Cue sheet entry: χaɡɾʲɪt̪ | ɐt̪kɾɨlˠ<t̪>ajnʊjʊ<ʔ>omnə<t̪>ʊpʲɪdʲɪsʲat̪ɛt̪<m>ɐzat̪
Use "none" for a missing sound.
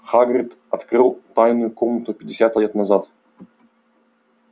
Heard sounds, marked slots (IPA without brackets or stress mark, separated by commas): t̪, k, t̪, n